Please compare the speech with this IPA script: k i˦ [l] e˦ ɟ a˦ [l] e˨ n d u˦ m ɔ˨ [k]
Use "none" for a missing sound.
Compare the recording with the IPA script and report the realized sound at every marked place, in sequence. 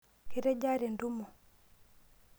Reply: ɾ, ɾ, none

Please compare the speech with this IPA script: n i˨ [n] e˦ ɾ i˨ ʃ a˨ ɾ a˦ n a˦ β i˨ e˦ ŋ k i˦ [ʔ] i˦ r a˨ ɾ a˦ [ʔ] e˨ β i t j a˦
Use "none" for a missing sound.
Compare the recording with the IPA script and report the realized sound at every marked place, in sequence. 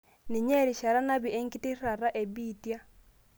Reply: ɲ, t, ʔ

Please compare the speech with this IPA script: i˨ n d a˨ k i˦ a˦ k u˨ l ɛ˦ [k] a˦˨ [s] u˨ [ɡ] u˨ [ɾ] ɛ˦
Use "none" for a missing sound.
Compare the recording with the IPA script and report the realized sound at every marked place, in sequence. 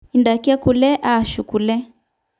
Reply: ʔ, ʃ, k, l

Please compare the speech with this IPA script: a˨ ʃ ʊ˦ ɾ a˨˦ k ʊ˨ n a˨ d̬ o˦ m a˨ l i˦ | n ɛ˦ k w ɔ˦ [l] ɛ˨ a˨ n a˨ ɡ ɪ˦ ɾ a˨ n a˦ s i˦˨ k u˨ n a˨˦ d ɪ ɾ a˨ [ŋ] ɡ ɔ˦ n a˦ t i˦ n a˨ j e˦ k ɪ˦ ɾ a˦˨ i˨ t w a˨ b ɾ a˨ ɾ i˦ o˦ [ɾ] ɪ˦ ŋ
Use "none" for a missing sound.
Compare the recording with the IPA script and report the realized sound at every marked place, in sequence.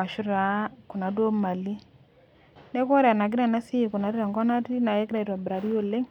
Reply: ɾ, ŋ, l

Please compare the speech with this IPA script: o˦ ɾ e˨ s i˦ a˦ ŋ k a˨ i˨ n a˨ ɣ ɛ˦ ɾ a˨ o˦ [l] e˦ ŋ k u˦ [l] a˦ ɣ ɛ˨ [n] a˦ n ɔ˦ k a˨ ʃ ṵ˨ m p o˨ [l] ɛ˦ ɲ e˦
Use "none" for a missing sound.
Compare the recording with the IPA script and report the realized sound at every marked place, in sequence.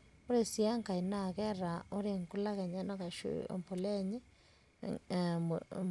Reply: ɾ, l, ɲ, l

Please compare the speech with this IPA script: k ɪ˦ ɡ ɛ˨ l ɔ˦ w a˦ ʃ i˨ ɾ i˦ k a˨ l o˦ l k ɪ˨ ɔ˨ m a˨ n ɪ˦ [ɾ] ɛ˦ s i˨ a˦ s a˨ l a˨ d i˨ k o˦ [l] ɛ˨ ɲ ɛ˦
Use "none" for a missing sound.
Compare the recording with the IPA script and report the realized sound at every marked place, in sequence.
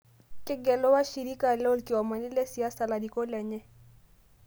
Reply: l, l

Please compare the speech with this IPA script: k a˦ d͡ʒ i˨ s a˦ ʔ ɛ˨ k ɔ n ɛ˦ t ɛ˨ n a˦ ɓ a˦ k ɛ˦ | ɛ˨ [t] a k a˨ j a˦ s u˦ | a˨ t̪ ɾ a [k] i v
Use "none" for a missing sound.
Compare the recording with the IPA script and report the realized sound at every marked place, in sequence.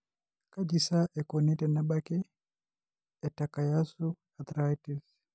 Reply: t, t

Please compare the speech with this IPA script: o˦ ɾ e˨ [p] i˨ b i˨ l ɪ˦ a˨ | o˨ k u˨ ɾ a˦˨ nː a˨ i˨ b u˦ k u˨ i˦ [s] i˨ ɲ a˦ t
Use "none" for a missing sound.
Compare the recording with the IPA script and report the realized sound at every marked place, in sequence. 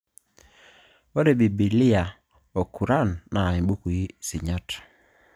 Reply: b, s

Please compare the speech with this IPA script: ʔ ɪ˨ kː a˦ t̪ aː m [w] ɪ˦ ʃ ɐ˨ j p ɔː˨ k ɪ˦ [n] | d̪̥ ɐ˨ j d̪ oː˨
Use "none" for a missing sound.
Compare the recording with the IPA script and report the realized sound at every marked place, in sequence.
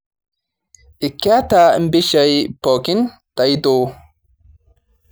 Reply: b, n

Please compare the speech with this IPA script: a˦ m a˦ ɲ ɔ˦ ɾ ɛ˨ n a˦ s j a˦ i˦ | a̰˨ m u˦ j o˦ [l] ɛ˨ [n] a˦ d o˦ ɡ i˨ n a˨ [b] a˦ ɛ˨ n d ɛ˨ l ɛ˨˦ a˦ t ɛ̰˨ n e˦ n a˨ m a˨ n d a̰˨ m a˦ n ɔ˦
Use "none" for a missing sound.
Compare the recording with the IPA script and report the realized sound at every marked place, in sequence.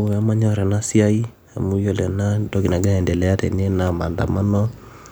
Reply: l, n, ɡ

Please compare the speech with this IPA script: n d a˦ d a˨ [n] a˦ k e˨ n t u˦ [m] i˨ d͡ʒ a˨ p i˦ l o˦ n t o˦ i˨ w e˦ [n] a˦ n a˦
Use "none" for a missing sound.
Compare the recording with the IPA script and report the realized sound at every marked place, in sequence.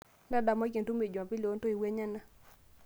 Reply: m, m, ɲ

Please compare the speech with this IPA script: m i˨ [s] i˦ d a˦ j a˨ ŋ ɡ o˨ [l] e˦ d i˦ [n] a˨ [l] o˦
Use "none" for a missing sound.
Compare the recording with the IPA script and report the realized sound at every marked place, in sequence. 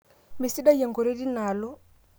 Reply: s, ɾ, n, l

